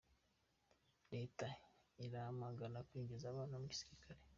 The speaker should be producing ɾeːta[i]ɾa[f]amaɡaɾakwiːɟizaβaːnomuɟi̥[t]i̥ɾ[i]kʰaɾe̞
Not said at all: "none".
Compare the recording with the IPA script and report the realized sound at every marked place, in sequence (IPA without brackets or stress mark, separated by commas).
i, h, s, i